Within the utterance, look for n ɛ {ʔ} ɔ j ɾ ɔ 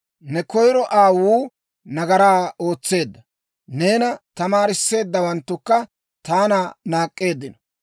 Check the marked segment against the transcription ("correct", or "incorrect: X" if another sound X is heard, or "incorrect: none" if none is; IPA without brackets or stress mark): incorrect: k